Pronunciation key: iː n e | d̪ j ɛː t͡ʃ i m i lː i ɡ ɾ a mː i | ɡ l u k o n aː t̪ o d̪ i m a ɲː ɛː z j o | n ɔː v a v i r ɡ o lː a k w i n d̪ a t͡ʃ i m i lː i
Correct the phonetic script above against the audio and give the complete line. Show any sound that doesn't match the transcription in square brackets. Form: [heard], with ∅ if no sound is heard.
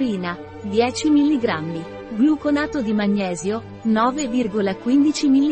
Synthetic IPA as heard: iː n [a] | d̪ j ɛː t͡ʃ i m i lː i ɡ ɾ a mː i | ɡ l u k o n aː t̪ o d̪ i m a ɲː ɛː z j o | n ɔː v [e] v i r ɡ o [l] a k w i n d̪ [i] t͡ʃ i m i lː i